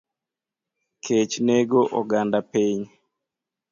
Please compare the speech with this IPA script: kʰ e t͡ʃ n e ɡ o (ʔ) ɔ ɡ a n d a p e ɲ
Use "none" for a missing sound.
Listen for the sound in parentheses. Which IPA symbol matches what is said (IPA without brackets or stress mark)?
ʔ